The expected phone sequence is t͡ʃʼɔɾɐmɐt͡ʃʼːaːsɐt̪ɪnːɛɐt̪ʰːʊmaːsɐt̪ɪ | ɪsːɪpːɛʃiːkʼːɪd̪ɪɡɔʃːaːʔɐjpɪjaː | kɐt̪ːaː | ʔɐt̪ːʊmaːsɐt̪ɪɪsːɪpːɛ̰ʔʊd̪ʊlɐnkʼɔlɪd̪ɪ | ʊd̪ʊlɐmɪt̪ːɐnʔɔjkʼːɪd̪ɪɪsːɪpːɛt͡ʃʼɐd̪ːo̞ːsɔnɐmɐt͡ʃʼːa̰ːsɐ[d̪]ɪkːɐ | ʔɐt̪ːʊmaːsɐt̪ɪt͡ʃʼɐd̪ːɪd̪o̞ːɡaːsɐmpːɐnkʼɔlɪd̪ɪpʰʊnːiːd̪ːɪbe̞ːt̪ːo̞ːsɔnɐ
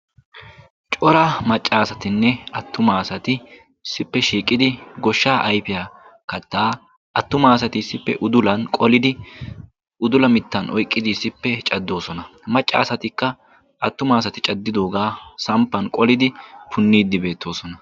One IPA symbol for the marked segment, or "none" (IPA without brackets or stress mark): t̪